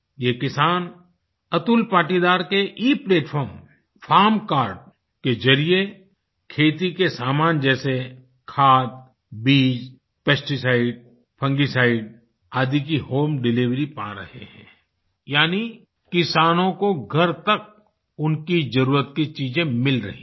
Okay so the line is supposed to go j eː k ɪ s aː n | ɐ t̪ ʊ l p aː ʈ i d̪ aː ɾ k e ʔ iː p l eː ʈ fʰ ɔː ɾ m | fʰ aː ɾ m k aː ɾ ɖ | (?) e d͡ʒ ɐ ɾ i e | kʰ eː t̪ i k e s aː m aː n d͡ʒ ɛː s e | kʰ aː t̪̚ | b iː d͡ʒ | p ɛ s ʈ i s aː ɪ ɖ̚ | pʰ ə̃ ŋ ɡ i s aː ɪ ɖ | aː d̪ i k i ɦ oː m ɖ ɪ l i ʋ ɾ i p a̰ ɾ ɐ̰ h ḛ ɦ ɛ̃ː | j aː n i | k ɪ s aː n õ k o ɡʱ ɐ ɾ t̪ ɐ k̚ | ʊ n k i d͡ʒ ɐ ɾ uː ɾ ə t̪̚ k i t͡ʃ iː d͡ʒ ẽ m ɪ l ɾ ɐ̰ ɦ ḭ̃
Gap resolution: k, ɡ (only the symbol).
k